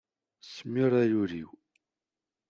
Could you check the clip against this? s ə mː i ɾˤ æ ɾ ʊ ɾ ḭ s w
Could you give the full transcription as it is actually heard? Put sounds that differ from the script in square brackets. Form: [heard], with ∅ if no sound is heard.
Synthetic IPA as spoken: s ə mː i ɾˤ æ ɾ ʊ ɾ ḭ [∅] w

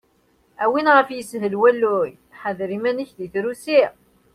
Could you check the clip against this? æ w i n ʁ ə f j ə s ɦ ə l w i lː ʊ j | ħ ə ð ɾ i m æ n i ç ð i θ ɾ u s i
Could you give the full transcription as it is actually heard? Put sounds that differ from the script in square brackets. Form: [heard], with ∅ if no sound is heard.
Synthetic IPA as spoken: æ w i n ʁ ə f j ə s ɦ ə l w [æ] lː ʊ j | ħ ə ð ɾ i m æ n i ç ð i θ ɾ u s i

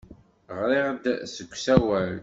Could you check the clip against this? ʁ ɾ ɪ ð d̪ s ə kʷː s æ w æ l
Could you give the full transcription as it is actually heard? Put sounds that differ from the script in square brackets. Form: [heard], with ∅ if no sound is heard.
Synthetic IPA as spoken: ʁ ɾ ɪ [ʁ] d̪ s ə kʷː s æ w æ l

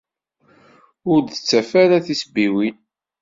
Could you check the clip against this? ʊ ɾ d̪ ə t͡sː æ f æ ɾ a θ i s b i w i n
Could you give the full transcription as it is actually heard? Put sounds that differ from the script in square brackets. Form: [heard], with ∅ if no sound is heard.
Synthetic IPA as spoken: ʊ ɾ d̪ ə t͡sː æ f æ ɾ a θ i s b i w i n

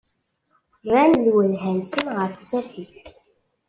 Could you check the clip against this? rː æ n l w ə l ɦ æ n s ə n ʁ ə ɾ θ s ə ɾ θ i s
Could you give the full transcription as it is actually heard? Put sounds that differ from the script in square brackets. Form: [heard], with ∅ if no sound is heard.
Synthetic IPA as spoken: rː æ n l w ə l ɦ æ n s ə n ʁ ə ɾ θ s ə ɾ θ i [θ]

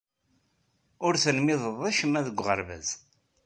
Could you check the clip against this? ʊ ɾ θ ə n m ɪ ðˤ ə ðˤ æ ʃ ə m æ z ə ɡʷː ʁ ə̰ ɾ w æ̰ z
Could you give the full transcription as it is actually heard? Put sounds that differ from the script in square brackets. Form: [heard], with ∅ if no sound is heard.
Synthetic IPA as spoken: ʊ ɾ θ ə n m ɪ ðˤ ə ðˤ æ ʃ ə m æ [ð] ə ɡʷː ʁ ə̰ ɾ [v] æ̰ z

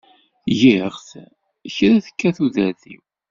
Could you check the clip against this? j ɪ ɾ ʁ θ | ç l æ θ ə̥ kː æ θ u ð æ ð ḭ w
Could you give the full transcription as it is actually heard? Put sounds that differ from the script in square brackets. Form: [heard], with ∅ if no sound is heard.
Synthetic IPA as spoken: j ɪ [∅] ʁ θ | ç [ɾ] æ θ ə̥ kː æ θ u ð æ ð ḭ w

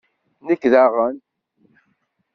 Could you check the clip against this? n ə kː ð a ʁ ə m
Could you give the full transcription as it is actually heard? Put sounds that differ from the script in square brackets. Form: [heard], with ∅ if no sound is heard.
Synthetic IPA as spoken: n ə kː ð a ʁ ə [n]

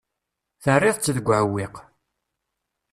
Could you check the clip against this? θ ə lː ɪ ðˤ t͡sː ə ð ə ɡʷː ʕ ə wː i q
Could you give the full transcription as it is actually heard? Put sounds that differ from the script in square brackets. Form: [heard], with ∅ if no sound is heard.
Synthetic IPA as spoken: θ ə [rː] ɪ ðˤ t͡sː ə ð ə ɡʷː ʕ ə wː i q

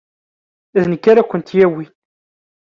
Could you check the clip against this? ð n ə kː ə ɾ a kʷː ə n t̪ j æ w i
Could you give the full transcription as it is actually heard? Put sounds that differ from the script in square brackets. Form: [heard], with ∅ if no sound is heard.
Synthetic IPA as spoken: ð n ə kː [a] ɾ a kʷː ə n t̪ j æ w i

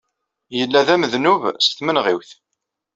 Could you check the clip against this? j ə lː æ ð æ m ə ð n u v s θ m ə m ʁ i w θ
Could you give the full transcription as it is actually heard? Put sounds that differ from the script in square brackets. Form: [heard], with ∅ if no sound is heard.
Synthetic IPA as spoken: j ə lː æ ð æ m ə ð n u v s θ m ə [n] ʁ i w θ

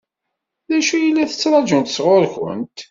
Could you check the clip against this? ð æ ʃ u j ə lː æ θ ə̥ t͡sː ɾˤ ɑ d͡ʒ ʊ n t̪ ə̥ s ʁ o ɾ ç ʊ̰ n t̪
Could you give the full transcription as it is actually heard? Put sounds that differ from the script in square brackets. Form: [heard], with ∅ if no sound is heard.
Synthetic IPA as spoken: ð æ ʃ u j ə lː æ θ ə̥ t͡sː ɾˤ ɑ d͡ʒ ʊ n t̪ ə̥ s ʁ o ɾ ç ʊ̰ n t̪

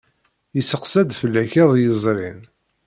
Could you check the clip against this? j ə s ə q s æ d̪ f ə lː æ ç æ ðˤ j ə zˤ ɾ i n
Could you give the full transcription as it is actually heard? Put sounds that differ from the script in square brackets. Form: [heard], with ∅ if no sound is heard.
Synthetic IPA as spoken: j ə s ə q s æ d̪ f ə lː æ ç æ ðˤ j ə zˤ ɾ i n

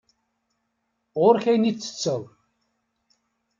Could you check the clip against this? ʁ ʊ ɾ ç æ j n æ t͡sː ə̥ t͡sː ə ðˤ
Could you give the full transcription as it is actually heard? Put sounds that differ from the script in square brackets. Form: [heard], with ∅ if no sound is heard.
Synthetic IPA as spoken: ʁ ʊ ɾ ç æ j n [i] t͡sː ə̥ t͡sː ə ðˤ

